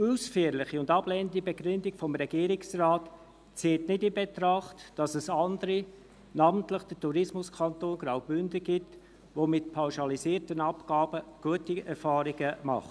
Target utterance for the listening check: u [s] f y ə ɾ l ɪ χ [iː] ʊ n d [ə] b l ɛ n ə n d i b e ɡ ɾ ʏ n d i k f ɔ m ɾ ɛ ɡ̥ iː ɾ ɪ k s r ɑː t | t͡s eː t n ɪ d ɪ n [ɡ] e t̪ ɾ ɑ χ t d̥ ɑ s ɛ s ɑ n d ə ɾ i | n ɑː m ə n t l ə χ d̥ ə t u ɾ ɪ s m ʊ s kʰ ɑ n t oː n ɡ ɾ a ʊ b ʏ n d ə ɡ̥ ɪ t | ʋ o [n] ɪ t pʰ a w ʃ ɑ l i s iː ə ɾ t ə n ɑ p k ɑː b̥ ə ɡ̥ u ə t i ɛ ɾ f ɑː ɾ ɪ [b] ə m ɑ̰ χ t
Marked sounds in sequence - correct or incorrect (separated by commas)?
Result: correct, incorrect, incorrect, incorrect, incorrect, incorrect